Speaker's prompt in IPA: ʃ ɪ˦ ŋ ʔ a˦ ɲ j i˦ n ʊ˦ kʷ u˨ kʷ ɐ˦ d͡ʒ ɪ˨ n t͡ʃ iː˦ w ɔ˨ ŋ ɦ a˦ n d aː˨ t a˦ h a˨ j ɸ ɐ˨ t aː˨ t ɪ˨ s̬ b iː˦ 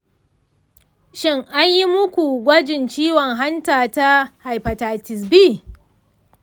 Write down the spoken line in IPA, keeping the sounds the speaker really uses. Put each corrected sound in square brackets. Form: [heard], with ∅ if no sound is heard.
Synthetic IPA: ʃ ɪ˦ ŋ ʔ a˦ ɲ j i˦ [m] ʊ˦ kʷ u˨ [ɡʷ] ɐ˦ d͡ʒ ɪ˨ n t͡ʃ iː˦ w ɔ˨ ŋ ɦ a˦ n [t] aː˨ t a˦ h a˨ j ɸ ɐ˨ t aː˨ t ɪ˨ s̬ b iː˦